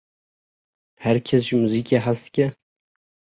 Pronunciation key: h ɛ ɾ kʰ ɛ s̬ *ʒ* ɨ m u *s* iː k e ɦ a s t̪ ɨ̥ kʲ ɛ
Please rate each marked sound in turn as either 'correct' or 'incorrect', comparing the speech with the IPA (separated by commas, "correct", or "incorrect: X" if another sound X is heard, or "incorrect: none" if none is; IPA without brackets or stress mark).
correct, incorrect: z